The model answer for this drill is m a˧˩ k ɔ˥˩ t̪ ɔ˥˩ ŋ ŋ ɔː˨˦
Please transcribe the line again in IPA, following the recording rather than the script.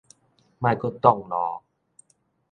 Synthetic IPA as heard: m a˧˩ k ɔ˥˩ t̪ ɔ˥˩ ŋ n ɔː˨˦